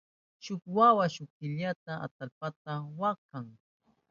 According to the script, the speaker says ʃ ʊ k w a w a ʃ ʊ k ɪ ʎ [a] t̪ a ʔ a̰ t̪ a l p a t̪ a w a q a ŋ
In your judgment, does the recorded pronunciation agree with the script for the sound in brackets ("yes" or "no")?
yes